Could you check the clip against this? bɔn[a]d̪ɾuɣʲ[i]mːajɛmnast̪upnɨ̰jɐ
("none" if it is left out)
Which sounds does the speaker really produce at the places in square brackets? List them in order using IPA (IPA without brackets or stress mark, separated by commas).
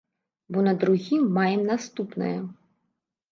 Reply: ɐ, i